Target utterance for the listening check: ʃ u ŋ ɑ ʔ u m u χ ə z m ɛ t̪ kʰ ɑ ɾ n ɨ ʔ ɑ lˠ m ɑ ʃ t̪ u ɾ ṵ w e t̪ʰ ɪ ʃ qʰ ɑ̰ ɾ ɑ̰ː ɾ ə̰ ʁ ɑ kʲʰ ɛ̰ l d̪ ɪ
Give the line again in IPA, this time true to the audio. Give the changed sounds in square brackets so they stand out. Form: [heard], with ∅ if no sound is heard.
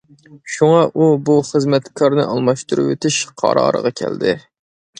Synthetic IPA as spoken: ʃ u ŋ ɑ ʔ u [b] u χ ə z m ɛ t̪ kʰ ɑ ɾ n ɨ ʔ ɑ lˠ m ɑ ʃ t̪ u ɾ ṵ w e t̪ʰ ɪ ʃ qʰ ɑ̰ ɾ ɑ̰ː ɾ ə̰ ʁ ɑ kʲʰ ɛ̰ l d̪ ɪ